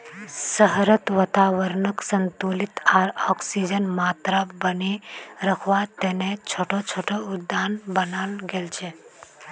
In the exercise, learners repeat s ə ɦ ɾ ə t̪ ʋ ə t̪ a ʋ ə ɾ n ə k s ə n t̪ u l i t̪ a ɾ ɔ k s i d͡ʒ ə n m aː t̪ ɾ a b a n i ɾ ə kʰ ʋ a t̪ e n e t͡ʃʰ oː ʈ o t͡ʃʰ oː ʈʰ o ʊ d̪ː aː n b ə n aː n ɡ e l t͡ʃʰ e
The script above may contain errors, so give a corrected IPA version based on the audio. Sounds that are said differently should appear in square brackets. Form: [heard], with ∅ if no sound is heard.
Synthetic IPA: s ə ɦ ɾ ə t̪ ʋ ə t̪ a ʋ ə ɾ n ə k s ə n t̪ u l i t̪ a ɾ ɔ k s i d͡ʒ ə n m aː t̪ ɾ a b [ə] n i ɾ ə kʰ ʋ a t̪ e n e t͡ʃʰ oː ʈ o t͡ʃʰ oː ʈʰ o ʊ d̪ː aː n b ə n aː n ɡ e l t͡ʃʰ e